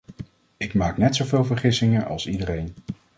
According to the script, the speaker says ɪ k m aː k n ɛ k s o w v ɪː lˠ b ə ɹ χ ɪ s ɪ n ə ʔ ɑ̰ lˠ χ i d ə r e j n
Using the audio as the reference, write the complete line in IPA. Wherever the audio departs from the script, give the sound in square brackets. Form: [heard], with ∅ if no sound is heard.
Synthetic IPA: ɪ k m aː k n ɛ [t] s o w v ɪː lˠ [v] ə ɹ χ ɪ s ɪ [ŋ] ə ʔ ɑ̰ lˠ [s] i d ə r e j n